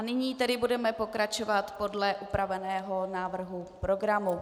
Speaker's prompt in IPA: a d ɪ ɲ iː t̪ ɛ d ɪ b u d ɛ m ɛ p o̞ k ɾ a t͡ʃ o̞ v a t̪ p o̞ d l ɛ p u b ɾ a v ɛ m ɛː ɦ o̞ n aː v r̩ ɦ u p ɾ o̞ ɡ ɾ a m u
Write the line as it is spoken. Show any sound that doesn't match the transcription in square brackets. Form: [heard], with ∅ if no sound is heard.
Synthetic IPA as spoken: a [n] ɪ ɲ iː t̪ ɛ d ɪ b u d ɛ m ɛ p o̞ k ɾ a t͡ʃ o̞ v a t̪ p o̞ d l ɛ [ʔ] u [p] ɾ a v ɛ [n] ɛː ɦ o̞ n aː v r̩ ɦ u p ɾ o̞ ɡ ɾ a m u

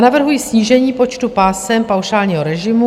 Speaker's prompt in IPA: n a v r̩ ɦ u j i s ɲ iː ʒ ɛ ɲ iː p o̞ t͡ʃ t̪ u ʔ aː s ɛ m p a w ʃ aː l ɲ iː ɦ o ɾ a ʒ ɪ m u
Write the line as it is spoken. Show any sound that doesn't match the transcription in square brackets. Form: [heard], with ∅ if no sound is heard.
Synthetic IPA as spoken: n a v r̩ ɦ u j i s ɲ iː ʒ ɛ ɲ iː p o̞ t͡ʃ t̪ u [p] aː s ɛ m p a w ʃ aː l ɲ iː ɦ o ɾ [ɛ] ʒ ɪ m u

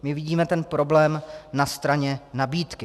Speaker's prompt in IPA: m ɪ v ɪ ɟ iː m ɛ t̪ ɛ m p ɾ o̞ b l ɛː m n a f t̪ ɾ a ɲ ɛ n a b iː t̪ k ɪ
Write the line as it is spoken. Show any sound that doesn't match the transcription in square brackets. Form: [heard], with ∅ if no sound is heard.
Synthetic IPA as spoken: m ɪ v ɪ ɟ iː m ɛ t̪ ɛ [n] p ɾ o̞ b l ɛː m n a [s] t̪ ɾ a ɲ ɛ n a b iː t̪ k ɪ

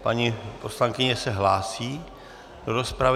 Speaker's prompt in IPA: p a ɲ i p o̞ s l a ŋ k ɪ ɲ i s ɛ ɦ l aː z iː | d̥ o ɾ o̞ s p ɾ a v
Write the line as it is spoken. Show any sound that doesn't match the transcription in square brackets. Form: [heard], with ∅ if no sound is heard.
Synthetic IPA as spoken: p a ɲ i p o̞ s l a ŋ k ɪ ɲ [ɛ] s ɛ ɦ l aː [s] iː | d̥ o ɾ o̞ s p ɾ a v

